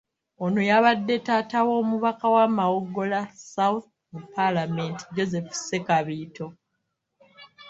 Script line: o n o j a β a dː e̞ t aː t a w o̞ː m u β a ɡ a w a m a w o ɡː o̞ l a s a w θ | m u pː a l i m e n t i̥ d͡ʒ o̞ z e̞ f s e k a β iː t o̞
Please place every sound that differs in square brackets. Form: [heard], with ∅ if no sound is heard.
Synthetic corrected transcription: o n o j a β a dː e̞ t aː t a w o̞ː m u β a [k] a w a m a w o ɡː o̞ l a s a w θ | m u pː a l [a] m e n t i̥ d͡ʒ o̞ z e̞ f s e k a β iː t o̞